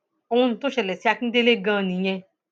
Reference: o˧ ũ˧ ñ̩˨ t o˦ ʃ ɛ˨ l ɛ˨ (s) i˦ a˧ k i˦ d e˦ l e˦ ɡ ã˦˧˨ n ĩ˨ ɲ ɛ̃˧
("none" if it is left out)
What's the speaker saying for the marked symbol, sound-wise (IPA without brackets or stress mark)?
s